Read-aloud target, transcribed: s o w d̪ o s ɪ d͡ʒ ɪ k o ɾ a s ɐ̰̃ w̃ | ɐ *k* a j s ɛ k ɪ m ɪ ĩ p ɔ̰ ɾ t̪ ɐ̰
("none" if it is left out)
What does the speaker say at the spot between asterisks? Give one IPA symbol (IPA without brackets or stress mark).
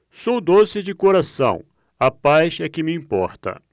p